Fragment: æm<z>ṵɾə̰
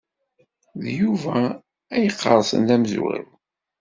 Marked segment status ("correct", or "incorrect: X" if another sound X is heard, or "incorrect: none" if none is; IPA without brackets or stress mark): correct